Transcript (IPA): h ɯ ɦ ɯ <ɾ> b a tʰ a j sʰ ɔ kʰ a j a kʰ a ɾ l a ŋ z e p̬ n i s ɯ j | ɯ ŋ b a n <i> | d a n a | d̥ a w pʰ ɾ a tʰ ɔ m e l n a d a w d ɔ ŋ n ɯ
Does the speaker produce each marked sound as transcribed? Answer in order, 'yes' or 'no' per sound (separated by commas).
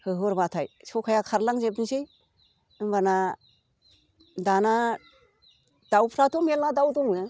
yes, no